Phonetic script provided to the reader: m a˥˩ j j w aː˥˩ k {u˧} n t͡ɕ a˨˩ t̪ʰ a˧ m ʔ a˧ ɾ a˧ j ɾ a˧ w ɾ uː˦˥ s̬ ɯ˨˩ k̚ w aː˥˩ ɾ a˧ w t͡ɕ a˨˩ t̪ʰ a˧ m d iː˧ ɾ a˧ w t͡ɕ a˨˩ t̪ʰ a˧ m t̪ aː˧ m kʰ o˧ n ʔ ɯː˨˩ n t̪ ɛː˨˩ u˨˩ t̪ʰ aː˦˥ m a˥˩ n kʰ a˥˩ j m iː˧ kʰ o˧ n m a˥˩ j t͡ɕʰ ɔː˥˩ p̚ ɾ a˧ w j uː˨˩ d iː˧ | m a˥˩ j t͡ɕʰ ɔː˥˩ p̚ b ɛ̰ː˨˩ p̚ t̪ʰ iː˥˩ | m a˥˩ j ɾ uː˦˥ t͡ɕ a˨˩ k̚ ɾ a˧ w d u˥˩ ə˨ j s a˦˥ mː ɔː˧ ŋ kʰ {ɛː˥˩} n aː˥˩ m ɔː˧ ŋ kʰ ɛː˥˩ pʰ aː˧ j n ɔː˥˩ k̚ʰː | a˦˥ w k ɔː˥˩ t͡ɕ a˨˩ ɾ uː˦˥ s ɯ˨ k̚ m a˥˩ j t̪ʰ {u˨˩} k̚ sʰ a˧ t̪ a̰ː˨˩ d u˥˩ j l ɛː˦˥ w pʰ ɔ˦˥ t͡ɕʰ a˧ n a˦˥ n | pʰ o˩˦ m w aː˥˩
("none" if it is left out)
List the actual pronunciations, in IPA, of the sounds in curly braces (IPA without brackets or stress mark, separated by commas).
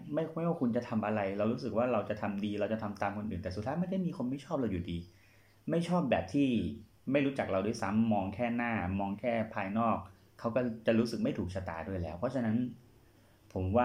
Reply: u˧, ɛː˥˩, uː˨˩